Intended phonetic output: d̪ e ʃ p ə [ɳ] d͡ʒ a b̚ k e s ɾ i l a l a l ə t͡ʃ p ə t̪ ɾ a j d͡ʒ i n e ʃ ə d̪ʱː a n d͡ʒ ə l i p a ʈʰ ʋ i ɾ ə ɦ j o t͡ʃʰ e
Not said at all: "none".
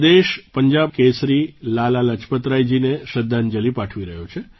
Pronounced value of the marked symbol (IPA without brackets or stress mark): ɲ